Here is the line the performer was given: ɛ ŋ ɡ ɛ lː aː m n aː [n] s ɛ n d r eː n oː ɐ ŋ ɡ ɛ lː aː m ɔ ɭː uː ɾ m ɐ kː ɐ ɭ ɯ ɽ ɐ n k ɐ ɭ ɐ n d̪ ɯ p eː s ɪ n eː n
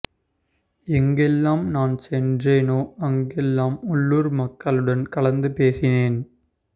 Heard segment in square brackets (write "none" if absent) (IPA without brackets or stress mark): n